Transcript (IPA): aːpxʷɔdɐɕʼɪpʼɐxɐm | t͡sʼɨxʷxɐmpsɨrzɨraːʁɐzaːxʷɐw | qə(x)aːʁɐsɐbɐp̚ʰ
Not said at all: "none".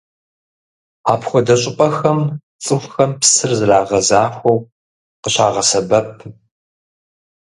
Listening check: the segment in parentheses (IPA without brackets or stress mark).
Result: ɕ